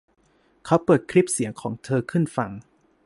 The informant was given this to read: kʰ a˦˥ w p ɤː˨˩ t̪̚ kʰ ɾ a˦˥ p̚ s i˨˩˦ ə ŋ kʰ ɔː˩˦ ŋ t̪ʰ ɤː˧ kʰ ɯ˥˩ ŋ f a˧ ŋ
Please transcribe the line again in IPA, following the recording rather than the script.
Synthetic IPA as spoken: kʰ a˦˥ w p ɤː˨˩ t̪̚ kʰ ɾ i˦˥ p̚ s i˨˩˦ ə ŋ kʰ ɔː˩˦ ŋ t̪ʰ ɤː˧ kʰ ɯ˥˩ n f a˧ ŋ